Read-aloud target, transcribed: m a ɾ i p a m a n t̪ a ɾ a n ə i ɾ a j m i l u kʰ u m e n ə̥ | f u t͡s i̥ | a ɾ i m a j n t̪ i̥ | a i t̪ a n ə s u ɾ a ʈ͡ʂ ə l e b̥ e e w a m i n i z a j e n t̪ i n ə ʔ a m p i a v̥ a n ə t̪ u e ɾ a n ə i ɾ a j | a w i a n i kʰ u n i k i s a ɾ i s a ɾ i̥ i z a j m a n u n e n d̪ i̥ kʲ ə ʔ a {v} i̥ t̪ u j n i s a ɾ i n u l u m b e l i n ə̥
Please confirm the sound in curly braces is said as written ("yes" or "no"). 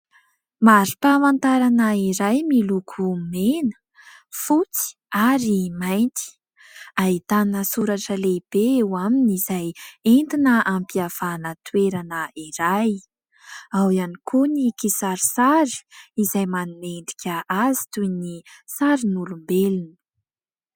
no